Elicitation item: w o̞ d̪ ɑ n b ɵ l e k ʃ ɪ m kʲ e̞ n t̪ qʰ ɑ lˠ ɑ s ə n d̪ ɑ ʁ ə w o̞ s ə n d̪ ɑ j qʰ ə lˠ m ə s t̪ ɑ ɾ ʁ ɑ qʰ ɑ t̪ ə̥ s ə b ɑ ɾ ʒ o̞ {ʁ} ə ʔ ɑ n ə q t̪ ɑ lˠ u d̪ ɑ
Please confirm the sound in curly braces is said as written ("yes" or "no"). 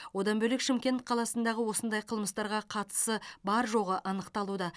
yes